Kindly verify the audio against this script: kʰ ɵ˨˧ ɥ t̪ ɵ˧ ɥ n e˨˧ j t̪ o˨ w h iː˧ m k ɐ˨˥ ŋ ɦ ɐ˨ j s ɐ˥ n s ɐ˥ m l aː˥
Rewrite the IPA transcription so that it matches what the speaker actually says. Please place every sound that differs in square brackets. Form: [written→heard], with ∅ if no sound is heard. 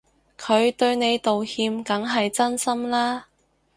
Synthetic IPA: kʰ ɵ˨˧ ɥ t̪ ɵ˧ ɥ n e˨˧ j t̪ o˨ w h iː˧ m k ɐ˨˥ ŋ ɦ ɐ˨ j [s→t͡s] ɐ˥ n s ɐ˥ m l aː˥